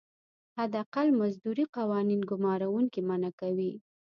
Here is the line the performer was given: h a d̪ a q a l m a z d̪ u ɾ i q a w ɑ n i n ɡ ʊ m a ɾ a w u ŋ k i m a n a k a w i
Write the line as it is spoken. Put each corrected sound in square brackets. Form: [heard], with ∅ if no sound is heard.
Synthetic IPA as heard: h a d̪ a q a l m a z d̪ u ɾ i q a w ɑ n i n ɡ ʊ m [ɑ] ɾ a w u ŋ k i m a n a k a w i